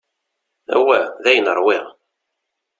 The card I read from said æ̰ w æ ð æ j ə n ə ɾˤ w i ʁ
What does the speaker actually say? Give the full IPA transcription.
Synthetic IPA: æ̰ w æ ð æ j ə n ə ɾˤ w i ʁ